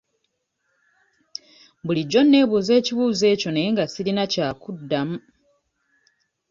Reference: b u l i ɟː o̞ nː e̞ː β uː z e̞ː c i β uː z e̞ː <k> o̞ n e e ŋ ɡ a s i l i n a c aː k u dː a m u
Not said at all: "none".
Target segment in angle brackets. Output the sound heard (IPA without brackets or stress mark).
c